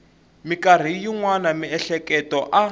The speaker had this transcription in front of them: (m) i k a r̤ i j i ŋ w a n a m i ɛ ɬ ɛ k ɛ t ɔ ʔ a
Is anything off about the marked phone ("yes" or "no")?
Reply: no